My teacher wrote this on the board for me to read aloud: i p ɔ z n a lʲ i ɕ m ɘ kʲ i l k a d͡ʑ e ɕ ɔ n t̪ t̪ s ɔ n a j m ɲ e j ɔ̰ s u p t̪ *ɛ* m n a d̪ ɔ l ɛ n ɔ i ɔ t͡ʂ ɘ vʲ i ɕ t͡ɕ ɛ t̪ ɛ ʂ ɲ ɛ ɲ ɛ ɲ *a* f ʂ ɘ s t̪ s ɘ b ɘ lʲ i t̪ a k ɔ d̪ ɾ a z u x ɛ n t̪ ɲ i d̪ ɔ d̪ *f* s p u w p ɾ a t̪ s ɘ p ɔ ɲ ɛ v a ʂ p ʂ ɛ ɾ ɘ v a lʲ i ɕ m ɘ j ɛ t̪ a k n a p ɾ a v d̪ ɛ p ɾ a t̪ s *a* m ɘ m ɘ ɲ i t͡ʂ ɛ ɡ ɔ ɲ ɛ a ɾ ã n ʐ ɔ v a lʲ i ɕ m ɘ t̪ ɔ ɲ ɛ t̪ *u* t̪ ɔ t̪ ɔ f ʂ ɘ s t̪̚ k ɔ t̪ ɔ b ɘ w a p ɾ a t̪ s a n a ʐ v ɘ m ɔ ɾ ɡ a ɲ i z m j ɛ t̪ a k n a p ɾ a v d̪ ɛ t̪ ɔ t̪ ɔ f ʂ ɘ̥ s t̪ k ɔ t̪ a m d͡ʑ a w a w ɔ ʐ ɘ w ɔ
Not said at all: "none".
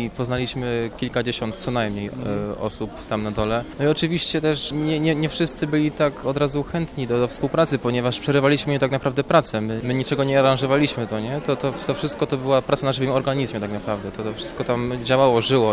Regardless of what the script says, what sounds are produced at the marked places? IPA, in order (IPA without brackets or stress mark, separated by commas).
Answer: a, ɛ, f, ɛ, ɔ